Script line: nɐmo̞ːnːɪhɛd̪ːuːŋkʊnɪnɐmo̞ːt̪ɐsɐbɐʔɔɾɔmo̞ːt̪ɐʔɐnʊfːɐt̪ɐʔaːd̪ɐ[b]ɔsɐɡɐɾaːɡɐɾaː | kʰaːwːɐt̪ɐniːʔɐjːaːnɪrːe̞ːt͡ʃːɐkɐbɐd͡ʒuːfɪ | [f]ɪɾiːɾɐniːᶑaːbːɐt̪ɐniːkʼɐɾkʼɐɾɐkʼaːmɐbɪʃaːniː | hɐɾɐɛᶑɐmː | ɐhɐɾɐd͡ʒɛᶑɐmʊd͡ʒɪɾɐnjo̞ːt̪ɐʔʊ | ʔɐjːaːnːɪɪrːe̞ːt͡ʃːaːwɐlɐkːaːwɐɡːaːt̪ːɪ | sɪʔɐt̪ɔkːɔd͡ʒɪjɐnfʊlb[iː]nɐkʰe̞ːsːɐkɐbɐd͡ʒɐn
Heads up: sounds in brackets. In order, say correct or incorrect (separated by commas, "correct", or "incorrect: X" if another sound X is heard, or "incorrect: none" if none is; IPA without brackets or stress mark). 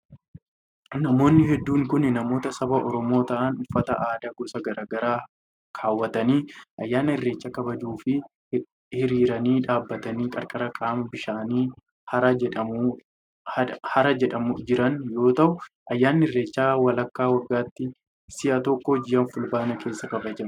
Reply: incorrect: ɡ, incorrect: h, incorrect: aː